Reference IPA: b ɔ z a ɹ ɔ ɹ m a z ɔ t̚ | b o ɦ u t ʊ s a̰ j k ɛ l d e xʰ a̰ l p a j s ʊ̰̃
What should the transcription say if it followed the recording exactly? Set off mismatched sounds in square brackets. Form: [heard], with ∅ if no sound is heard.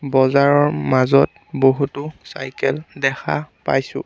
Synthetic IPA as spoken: b ɔ z a ɹ ɔ ɹ m a z ɔ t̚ | b o ɦ u t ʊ s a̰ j k ɛ l d [ɛ] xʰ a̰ [∅] p a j s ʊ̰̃